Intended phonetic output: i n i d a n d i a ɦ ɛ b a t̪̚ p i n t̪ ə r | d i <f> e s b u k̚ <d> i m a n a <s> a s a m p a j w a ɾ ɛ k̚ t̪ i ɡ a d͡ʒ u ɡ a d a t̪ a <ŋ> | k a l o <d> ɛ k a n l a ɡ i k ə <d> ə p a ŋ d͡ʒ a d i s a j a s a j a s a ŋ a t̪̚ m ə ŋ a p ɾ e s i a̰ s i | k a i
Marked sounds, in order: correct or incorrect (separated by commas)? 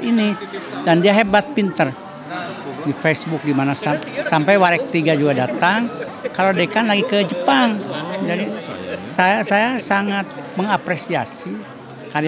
correct, correct, correct, correct, correct, incorrect